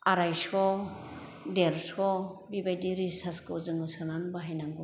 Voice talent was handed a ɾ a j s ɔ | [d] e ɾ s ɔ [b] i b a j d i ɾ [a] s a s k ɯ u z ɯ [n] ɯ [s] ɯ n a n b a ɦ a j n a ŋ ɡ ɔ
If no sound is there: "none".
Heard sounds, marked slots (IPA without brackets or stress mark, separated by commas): d, b, i, ŋ, s